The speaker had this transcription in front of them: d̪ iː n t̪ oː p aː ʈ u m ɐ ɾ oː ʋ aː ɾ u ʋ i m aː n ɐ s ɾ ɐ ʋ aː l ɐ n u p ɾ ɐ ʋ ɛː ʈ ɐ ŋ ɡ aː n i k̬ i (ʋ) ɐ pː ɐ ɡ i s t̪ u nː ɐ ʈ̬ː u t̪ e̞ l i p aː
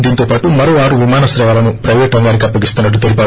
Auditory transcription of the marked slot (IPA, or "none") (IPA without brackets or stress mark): none